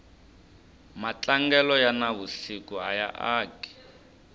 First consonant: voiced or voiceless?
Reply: voiced